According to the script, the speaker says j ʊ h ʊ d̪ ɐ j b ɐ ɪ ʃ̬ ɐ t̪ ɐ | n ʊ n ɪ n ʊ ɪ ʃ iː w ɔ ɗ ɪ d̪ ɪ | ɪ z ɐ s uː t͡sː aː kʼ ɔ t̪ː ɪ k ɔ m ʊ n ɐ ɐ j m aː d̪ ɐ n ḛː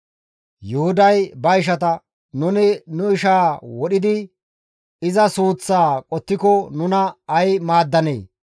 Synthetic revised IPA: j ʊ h ʊ d̪ ɐ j b ɐ ɪ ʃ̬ ɐ t̪ ɐ | n ʊ n ɪ n ʊ ɪ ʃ aː w ɔ ɗ ɪ d̪ ɪ | ɪ z ɐ s uː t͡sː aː kʼ ɔ t̪ː ɪ k ɔ n ʊ n ɐ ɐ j m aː d̪ː ɐ n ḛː